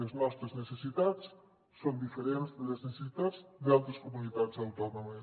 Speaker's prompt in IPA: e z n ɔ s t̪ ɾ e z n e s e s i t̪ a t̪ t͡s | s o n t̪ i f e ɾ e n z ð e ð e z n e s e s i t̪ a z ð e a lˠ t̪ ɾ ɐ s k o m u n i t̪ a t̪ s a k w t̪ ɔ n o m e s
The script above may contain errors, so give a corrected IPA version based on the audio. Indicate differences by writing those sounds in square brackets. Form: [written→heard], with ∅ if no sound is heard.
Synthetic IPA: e z n ɔ s t̪ ɾ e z n e s e s i t̪ a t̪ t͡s | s o n [t̪→d̪] i f e ɾ e n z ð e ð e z n e s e s i t̪ a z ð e a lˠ t̪ ɾ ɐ s k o m u n i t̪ a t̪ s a [k→∅] w t̪ ɔ n o m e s